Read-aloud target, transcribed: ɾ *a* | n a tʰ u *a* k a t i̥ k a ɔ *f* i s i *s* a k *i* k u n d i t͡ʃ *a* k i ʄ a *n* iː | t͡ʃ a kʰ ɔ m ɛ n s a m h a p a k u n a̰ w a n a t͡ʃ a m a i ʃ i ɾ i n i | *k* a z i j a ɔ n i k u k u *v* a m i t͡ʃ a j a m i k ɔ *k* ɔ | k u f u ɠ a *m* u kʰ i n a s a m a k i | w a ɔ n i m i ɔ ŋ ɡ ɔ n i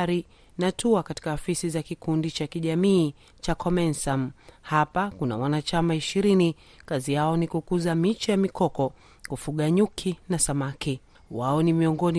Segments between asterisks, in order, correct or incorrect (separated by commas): incorrect, correct, correct, incorrect, correct, correct, incorrect, correct, incorrect, correct, incorrect